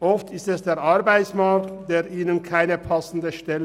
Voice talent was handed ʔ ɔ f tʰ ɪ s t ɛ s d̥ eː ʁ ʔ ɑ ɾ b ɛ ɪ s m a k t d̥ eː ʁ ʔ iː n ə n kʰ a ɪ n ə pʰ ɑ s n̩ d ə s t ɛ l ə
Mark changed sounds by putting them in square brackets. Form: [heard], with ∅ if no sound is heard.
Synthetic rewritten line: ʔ ɔ f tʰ ɪ s t ɛ s d̥ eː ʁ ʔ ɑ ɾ b [a] ɪ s m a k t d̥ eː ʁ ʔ iː n ə n kʰ a ɪ n ə pʰ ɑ s n̩ d ə [ʃ] t ɛ l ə